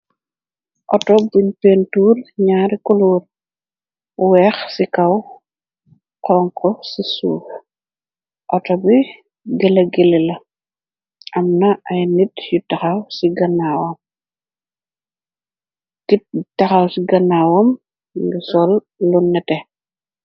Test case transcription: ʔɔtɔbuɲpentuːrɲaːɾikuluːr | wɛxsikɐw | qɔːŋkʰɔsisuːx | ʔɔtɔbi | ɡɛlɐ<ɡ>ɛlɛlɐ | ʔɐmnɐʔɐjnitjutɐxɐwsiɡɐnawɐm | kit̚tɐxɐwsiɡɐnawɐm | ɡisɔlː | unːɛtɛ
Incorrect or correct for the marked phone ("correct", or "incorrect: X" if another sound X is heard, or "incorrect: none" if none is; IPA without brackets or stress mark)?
correct